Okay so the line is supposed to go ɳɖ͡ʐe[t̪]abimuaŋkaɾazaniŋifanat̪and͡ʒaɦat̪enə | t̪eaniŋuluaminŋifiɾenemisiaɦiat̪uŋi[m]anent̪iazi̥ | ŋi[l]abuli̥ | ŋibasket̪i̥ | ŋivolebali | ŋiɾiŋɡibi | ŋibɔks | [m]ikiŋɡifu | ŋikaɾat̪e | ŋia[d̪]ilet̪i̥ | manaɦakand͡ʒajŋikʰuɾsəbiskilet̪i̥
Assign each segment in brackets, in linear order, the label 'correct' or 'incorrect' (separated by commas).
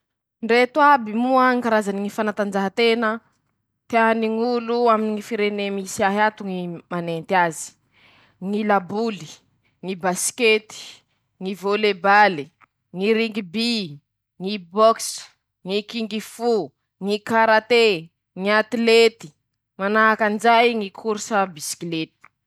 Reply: correct, correct, correct, incorrect, incorrect